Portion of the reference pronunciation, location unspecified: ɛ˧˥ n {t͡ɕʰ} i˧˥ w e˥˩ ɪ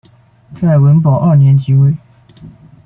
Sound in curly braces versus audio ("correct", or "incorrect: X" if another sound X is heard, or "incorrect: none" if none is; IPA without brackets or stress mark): incorrect: t͡ɕ